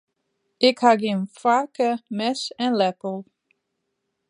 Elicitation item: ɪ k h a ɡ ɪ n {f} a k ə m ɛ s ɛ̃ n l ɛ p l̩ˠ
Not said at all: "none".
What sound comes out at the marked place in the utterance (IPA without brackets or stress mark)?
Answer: f